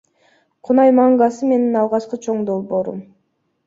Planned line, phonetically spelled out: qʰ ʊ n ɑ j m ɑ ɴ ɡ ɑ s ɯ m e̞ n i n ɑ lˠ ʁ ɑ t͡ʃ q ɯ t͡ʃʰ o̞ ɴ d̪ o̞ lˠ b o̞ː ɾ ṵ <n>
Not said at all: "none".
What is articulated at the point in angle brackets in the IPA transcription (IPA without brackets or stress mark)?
m